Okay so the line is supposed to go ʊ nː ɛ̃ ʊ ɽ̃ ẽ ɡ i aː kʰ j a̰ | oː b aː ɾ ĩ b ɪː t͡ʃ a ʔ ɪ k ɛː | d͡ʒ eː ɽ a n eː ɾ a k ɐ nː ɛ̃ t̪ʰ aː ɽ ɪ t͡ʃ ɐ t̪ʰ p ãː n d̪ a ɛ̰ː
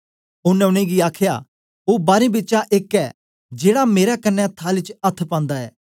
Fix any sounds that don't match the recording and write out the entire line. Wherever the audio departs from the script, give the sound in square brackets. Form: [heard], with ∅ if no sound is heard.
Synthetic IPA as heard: ʊ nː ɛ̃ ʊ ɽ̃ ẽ ɡ i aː kʰ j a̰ | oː b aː ɾ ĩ b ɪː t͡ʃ a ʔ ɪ k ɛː | d͡ʒ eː ɽ a [m] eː ɾ a k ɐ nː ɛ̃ t̪ʰ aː [l] ɪ t͡ʃ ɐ t̪ʰ p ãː n d̪ a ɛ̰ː